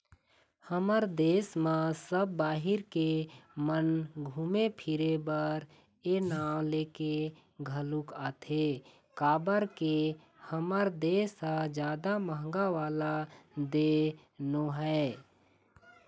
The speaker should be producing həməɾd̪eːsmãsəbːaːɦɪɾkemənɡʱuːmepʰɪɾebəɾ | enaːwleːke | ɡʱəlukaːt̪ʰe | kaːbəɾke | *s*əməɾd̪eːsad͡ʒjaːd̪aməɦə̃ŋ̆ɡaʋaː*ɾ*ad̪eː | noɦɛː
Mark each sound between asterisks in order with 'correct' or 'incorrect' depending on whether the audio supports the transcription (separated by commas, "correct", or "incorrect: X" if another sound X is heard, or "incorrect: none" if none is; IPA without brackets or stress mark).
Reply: incorrect: h, incorrect: l